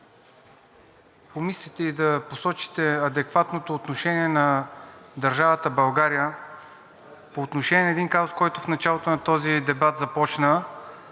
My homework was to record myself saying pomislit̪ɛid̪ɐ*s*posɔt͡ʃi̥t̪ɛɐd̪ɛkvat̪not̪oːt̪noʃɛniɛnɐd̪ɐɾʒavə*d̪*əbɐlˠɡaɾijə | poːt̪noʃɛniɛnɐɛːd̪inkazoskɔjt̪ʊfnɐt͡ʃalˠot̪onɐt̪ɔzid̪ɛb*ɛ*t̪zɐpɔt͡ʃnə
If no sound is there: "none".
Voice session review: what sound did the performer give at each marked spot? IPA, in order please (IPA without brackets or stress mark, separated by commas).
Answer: none, t̪, a